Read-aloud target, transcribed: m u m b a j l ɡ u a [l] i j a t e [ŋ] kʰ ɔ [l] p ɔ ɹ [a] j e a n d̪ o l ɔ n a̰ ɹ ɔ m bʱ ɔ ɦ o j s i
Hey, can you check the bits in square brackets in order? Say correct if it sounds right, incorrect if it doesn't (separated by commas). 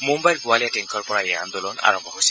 correct, correct, incorrect, correct